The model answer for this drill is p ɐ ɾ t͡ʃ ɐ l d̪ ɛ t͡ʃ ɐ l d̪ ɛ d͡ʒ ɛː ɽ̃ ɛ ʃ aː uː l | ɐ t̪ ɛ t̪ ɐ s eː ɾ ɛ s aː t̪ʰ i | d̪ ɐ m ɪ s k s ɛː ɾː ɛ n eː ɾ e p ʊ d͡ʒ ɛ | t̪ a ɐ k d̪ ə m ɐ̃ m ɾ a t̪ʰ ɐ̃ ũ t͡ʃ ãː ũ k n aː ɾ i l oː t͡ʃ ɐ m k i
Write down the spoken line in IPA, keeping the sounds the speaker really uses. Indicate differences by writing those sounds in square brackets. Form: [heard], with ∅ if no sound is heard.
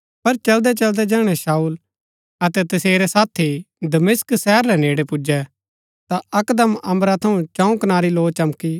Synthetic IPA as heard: p ɐ ɾ t͡ʃ ɐ l d̪ ɛ t͡ʃ ɐ l d̪ ɛ d͡ʒ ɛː ɽ̃ ɛ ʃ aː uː l | ɐ t̪ ɛ t̪ ɐ s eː ɾ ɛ s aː t̪ʰ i | d̪ ɐ m ɪ s k s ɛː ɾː ɛ n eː [ɽ] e p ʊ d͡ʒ ɛ | t̪ a ɐ k d̪ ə m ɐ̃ m ɾ a t̪ʰ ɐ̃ ũ t͡ʃ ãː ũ k n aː ɾ i l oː t͡ʃ ɐ m k i